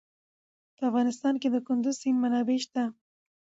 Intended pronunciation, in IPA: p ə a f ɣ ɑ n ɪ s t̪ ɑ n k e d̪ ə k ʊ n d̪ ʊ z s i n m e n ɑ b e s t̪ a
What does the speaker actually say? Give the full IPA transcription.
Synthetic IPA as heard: p ə a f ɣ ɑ n ɪ s t̪ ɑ n k e d̪ ə k ʊ n d̪ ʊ z s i n m a n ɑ b e ʃ t̪ a